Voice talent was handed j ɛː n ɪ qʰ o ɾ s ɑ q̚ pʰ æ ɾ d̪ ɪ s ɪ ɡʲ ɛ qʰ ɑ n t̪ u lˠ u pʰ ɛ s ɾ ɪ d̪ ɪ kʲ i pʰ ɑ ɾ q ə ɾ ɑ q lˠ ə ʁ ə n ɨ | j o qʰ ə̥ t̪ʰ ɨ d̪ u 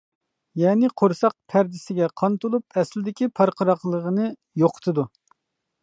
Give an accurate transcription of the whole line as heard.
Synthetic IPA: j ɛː n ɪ qʰ o ɾ s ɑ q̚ pʰ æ ɾ d̪ ɪ s ɪ ɡʲ ɛ qʰ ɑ n t̪ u lˠ u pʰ ɛ s l ɪ d̪ ɪ kʲ i pʰ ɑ ɾ q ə ɾ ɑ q lˠ ə ʁ ə n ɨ | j o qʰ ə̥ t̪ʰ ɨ d̪ u